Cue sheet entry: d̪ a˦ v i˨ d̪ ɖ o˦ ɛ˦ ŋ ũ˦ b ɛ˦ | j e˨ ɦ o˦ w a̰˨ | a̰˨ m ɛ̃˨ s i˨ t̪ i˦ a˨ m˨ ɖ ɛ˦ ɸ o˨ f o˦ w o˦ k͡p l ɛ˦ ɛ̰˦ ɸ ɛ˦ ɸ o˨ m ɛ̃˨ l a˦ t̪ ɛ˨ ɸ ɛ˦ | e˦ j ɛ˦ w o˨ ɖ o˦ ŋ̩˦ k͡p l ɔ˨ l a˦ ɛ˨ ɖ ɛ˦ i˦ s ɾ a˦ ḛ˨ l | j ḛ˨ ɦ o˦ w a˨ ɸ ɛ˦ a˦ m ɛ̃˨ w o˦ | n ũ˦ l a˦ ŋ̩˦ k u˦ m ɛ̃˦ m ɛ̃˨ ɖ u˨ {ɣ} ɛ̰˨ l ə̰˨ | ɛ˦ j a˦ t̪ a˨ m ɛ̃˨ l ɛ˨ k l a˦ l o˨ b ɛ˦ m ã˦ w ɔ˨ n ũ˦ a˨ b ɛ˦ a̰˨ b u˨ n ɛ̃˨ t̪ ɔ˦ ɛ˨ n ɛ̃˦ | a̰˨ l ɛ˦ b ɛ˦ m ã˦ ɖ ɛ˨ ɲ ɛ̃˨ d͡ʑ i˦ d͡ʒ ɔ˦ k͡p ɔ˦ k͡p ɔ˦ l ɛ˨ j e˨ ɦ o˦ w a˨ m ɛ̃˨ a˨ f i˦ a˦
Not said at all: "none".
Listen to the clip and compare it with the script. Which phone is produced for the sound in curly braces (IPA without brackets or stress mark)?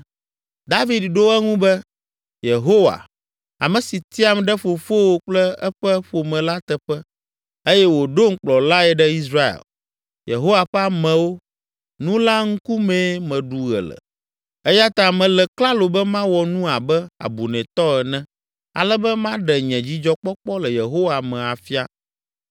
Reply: ɣ